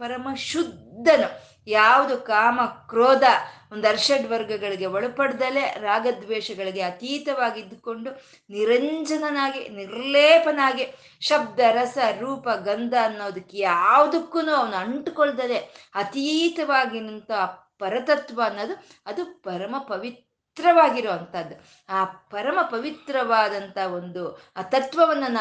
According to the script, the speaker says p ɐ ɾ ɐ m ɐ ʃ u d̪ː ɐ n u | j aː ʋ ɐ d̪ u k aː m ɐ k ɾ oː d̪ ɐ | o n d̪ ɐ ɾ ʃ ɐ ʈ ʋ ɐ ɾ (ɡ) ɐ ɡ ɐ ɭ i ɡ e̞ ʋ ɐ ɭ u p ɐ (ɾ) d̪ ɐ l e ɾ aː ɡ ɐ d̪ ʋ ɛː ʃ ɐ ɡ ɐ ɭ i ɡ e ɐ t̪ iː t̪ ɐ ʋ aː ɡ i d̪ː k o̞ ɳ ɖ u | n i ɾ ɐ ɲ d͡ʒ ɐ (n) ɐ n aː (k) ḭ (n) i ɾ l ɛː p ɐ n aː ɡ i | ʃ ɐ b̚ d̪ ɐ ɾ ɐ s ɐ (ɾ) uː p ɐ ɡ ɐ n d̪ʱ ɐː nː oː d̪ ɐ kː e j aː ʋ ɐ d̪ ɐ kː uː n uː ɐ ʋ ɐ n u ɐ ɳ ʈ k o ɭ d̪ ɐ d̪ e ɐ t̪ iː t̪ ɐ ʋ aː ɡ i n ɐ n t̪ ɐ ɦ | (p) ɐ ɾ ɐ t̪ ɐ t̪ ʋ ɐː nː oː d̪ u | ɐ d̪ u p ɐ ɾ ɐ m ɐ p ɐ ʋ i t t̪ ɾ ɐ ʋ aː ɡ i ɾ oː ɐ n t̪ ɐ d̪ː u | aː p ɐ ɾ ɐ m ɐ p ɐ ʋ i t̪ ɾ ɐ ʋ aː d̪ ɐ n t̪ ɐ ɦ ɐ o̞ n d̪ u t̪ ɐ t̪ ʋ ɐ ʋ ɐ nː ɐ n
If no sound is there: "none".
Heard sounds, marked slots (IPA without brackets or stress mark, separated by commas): ɡ, ɽ, n, ɡ, n, ɾ, p